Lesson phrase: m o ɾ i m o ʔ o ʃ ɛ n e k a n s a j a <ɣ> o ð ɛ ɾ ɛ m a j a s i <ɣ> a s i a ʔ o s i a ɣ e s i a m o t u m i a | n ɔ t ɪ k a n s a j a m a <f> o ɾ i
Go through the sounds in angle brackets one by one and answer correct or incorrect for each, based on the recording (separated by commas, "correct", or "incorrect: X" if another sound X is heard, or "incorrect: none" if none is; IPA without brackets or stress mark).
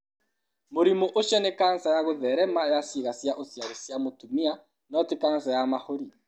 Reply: correct, correct, incorrect: h